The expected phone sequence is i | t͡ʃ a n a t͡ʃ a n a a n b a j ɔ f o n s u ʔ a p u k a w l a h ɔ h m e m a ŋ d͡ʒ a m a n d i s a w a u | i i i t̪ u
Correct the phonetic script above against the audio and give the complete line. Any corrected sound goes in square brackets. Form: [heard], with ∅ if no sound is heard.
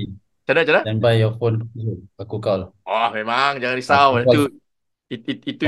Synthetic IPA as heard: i | t͡ʃ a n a t͡ʃ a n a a n b a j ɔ f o n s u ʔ a [k] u k a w l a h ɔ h m e m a ŋ d͡ʒ a [ŋ] a n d i s a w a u | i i i t̪ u